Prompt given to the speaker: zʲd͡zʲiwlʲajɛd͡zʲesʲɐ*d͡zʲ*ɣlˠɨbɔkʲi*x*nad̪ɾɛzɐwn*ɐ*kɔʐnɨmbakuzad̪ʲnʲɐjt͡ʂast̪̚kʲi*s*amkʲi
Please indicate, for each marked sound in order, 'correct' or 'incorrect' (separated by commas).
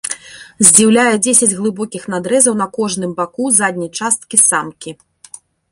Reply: correct, correct, correct, correct